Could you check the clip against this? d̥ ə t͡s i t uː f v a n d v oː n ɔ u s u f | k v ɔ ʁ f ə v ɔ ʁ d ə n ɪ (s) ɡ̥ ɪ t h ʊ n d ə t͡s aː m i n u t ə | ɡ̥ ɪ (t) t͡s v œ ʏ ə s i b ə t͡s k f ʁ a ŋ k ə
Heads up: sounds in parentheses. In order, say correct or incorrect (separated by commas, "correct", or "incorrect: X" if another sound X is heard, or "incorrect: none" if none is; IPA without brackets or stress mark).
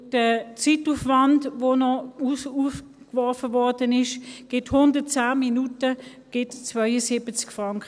incorrect: ʃ, correct